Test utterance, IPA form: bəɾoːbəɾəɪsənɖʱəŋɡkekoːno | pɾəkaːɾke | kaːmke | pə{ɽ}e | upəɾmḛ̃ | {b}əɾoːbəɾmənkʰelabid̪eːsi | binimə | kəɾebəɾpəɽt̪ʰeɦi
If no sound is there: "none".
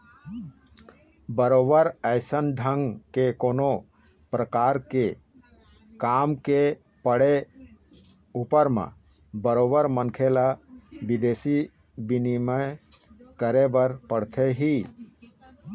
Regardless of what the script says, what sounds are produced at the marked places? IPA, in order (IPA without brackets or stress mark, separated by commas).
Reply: ɽ, b